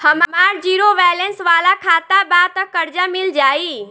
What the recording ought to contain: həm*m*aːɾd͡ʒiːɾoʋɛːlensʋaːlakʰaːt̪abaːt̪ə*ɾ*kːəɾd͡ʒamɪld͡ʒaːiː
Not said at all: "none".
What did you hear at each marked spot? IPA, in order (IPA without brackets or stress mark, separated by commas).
m, none